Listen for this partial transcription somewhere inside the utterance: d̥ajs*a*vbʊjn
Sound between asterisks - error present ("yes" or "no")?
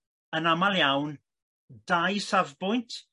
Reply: no